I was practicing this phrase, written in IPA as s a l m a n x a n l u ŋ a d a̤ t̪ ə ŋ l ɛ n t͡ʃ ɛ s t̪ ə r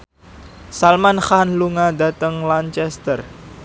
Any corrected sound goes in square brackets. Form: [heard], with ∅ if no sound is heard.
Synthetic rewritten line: s a l m a n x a n l u ŋ a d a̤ t̪ ə ŋ l [a] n t͡ʃ ɛ s t̪ ə r